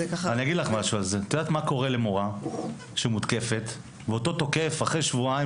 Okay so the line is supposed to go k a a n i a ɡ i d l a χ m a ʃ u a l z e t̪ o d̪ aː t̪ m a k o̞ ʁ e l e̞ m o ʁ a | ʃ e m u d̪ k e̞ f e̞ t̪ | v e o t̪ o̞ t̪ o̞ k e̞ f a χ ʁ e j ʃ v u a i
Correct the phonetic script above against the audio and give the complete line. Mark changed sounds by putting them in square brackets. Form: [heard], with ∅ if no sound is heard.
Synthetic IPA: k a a n i a ɡ i d l a χ m a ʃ u a l z e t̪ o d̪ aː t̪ m a k o̞ ʁ e l e̞ m o ʁ a | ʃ e m u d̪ k e̞ f e̞ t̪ | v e o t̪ o̞ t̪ o̞ k e̞ f a χ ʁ e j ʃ v u a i